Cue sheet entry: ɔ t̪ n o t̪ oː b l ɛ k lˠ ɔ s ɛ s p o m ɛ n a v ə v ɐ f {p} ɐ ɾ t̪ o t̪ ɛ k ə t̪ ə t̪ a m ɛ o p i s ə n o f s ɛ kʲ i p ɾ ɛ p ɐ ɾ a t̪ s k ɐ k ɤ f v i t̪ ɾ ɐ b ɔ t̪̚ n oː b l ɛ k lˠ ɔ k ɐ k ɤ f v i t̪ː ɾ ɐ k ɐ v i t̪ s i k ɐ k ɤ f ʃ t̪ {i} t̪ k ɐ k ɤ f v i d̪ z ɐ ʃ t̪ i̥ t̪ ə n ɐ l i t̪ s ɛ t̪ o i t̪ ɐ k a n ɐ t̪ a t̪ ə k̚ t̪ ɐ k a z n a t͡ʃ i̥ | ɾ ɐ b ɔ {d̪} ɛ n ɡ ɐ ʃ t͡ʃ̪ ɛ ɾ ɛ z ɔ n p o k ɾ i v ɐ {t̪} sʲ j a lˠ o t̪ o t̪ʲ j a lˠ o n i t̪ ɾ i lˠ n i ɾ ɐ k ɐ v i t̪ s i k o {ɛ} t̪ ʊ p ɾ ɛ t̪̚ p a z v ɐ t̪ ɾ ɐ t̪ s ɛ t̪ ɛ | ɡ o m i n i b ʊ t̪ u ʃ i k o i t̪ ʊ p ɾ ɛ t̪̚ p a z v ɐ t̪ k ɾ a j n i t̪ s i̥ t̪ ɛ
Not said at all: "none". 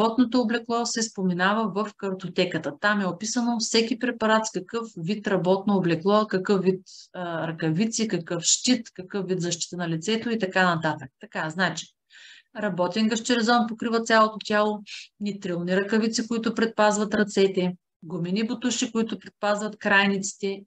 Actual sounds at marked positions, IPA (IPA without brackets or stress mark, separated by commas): k, i, t̪, t̪, i